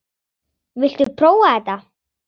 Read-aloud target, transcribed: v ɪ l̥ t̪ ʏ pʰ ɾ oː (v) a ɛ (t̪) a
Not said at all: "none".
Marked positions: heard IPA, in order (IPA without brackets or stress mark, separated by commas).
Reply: w, t̪